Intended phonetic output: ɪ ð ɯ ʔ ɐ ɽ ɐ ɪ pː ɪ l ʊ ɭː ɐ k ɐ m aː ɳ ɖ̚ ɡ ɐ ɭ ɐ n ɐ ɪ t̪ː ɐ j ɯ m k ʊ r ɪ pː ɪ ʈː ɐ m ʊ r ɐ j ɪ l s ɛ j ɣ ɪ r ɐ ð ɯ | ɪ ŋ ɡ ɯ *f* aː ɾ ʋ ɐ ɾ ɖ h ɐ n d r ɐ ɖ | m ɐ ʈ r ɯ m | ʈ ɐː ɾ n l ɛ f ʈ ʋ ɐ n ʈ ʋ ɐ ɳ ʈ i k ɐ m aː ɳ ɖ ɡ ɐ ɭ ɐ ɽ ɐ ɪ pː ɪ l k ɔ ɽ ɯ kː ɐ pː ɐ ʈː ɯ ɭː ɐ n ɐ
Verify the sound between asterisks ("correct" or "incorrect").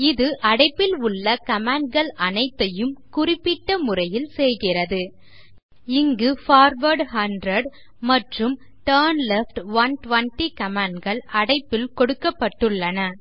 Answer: correct